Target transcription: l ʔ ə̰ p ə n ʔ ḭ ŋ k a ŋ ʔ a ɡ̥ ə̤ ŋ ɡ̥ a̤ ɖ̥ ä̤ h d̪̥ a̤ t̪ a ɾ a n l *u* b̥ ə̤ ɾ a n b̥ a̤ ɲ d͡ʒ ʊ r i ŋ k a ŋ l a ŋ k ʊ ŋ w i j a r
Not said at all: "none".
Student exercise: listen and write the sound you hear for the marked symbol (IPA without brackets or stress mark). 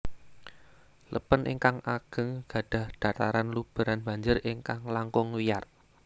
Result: u